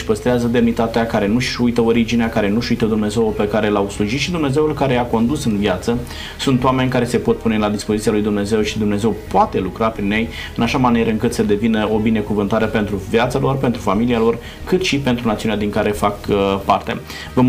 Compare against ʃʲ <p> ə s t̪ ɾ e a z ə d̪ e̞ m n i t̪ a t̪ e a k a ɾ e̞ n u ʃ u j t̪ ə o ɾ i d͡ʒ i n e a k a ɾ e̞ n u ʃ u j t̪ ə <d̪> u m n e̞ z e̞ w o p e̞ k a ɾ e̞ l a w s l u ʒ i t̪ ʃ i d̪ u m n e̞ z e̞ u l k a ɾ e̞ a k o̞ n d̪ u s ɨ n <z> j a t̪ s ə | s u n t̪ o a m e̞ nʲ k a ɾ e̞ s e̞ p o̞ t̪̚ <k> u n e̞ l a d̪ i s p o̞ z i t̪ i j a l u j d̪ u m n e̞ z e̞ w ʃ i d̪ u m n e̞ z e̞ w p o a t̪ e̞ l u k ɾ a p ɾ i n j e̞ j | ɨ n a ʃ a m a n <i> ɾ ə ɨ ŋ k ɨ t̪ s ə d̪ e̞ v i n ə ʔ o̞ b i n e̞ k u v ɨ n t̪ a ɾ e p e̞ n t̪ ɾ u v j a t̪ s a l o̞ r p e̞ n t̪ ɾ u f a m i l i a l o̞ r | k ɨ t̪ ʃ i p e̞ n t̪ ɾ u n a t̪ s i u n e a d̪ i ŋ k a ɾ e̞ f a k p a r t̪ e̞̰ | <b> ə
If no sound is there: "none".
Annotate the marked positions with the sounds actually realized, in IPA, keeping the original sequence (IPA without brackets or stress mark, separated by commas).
p, d̪, v, p, i, v